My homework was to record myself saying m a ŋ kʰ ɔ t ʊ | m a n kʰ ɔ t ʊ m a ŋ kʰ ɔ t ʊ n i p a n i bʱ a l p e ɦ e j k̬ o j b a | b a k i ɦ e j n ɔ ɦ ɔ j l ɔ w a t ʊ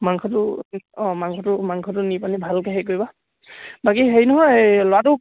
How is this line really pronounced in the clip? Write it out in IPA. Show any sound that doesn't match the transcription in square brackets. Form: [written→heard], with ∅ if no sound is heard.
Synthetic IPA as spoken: m a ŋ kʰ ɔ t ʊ | m a [n→ŋ] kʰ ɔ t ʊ m a ŋ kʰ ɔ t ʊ n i p a n i bʱ a l [p→k] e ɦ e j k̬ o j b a | b a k i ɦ e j n ɔ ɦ ɔ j l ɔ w a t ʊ